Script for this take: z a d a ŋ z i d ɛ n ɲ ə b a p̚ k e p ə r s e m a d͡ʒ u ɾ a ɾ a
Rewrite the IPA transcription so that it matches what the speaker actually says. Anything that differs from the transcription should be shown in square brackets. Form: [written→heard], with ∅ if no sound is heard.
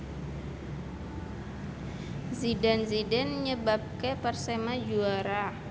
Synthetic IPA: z [a→i] d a [ŋ→n] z i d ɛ n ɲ ə b a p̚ k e p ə r s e m a d͡ʒ u [ɾ→∅] a ɾ a